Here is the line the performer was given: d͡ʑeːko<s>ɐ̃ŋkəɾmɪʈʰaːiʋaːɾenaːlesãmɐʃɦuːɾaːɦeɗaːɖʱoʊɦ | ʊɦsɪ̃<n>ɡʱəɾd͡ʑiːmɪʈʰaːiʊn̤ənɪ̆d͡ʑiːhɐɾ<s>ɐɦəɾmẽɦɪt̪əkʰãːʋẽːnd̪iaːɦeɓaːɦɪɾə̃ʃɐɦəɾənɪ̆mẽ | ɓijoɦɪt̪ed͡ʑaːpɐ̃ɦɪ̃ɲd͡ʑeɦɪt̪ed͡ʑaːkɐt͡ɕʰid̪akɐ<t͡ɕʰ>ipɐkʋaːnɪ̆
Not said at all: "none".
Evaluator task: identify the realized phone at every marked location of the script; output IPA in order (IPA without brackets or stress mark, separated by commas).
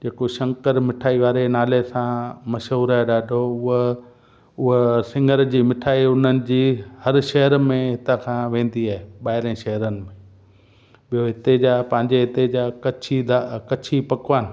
ʃ, ŋ, ʃ, t͡ɕʰ